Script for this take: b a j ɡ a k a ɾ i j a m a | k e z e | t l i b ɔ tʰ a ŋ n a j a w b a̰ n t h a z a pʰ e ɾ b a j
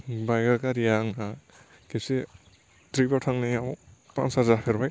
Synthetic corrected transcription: b a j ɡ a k a ɾ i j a ŋ a | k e s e | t ɾ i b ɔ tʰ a ŋ n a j a w p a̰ n s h a z a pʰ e ɾ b a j